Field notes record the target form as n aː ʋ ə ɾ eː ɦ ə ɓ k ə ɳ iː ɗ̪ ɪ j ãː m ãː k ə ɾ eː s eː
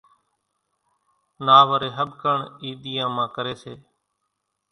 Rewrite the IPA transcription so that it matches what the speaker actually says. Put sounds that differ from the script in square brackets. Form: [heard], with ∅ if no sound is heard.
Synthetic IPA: n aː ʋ ə ɾ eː ɦ ə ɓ k ə ɳ iː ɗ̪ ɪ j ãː m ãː k ə ɾ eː s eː